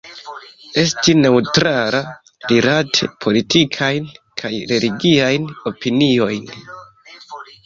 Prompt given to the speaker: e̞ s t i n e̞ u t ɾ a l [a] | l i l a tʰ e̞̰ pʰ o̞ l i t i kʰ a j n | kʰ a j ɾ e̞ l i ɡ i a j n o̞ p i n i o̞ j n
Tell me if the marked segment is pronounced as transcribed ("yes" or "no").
yes